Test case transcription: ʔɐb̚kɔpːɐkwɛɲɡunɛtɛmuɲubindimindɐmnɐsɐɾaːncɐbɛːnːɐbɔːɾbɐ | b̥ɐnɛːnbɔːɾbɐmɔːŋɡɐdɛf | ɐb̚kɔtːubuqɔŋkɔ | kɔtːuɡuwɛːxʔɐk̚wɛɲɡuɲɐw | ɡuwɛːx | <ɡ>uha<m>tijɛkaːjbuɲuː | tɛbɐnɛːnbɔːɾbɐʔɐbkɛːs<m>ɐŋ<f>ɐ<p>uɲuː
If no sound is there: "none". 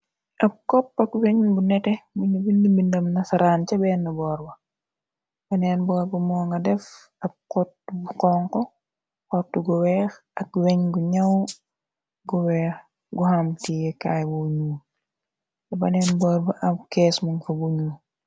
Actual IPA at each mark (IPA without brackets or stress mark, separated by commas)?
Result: ɡ, m, m, f, b